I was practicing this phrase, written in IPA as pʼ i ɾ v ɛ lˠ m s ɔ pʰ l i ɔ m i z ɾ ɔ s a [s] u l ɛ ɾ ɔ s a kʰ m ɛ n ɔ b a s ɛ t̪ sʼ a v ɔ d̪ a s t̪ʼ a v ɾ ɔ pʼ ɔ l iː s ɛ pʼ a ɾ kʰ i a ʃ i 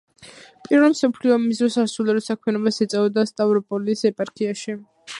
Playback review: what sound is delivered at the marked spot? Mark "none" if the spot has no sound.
s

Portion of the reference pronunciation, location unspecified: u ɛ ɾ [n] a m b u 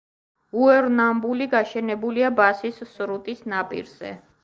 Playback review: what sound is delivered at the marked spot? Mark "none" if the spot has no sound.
n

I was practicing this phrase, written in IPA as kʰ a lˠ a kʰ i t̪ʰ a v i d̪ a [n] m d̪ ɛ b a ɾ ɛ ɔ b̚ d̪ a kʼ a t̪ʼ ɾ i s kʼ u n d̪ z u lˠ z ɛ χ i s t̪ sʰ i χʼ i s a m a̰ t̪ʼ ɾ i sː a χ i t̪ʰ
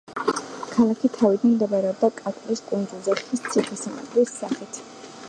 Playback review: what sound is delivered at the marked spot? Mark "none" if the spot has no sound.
n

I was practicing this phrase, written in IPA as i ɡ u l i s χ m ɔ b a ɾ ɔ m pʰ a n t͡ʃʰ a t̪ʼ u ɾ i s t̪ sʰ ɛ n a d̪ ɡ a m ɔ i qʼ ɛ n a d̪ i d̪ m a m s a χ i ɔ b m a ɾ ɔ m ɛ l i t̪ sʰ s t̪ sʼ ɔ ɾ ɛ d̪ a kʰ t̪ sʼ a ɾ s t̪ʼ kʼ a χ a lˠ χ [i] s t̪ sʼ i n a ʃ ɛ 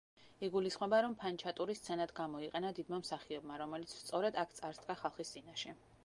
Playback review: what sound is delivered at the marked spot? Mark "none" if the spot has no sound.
i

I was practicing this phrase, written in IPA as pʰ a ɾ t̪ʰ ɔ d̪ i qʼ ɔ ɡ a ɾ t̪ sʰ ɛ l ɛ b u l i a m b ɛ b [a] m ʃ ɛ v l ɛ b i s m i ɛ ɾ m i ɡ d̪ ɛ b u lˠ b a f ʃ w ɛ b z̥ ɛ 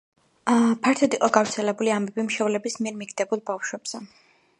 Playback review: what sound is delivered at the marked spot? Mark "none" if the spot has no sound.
i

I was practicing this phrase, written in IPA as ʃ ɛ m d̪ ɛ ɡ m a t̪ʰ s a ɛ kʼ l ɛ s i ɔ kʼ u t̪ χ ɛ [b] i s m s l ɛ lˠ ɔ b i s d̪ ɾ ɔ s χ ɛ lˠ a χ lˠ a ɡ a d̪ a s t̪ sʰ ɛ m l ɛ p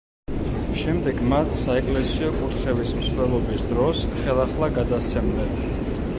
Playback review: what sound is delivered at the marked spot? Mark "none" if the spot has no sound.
v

